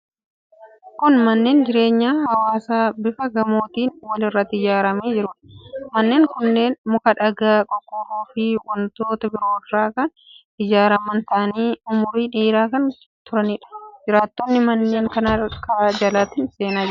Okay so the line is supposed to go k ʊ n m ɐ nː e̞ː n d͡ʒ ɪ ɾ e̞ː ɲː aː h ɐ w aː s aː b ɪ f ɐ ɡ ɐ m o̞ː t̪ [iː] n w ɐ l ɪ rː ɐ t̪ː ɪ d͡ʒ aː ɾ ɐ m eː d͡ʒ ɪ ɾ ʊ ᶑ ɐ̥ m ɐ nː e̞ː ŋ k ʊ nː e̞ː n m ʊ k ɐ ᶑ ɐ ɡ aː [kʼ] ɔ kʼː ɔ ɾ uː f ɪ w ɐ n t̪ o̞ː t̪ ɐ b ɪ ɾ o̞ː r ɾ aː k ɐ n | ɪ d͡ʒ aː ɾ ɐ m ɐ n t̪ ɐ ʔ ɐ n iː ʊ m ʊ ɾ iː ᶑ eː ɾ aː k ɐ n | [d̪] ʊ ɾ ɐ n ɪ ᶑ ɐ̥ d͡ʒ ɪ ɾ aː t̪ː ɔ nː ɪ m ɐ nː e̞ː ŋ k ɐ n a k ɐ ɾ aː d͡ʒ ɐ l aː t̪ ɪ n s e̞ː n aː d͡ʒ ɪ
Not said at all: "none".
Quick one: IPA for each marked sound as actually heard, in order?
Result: iː, kʼ, t̪

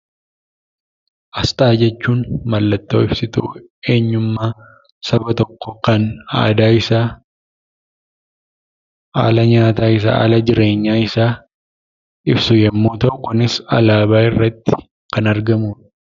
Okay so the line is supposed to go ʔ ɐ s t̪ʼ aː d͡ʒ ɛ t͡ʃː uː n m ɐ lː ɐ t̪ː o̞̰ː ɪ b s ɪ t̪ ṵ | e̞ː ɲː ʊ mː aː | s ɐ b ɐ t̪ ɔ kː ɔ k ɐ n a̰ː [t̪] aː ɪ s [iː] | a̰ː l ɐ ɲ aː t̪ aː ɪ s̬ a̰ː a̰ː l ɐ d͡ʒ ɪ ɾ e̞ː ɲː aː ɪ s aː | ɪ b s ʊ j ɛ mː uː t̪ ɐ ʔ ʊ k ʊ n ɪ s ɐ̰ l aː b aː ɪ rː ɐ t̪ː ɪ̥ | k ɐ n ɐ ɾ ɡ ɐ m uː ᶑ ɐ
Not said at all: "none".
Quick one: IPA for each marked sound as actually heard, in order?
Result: d̪, aː

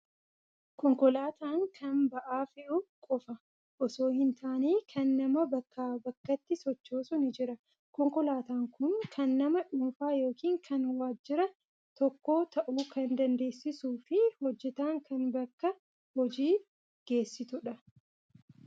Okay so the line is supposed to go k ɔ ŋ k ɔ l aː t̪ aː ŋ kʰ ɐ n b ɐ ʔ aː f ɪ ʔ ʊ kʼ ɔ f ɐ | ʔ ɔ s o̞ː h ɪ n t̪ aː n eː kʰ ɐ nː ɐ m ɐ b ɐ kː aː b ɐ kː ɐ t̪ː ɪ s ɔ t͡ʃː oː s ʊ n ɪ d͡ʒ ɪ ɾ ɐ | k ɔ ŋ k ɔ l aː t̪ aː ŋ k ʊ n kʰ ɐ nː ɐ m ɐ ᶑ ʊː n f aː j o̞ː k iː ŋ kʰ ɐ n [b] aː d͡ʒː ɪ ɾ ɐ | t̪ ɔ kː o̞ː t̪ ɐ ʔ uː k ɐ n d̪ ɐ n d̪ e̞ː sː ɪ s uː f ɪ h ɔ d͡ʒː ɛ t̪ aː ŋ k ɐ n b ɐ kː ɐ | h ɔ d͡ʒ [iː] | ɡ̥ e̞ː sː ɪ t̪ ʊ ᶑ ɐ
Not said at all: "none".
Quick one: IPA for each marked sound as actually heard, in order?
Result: w, iː

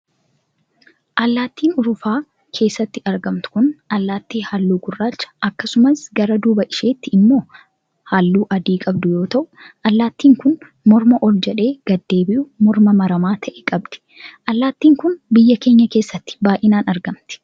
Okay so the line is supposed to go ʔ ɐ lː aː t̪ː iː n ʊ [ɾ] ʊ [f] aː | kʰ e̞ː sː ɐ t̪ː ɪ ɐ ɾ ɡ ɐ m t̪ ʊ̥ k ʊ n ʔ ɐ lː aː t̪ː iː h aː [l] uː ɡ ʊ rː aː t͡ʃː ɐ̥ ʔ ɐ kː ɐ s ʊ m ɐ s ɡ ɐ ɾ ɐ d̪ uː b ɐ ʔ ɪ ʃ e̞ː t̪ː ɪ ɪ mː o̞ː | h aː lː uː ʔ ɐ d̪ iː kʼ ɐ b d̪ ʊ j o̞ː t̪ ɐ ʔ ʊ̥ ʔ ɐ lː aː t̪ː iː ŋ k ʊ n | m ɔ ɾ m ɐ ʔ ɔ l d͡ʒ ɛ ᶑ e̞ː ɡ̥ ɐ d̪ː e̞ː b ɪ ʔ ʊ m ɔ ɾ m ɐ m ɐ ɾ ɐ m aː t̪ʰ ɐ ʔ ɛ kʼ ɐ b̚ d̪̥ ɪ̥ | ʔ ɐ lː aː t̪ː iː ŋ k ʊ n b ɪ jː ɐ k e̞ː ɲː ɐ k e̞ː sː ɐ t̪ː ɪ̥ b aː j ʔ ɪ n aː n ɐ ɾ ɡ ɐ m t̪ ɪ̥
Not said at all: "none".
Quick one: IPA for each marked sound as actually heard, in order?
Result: ɾ, f, lː

